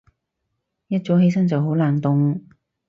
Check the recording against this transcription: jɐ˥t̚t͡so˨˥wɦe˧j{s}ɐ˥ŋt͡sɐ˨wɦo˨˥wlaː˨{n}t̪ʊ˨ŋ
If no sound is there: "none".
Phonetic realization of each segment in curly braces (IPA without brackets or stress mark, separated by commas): s, n